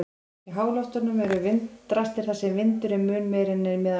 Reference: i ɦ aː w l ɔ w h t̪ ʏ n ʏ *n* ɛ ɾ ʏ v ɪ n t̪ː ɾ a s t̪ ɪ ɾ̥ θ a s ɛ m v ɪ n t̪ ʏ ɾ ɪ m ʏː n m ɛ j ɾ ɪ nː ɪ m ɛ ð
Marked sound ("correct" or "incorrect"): incorrect